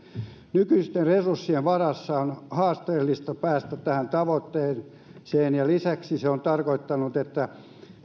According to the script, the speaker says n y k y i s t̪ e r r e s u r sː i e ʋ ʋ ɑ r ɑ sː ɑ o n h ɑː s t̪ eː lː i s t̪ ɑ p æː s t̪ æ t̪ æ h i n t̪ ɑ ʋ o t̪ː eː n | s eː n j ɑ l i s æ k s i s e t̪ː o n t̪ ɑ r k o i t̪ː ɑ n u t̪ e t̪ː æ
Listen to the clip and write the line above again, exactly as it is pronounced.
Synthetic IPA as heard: n y k y i s t̪ e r r e s u r sː i e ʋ ʋ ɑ r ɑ sː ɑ o n h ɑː s t̪ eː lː i s t̪ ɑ p æː s t̪ æ t̪ æ h æ n t̪ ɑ ʋ o t̪ː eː n | s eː n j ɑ l i s æ k s i s e o n t̪ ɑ r k o i t̪ː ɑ n u t̪ e t̪ː æ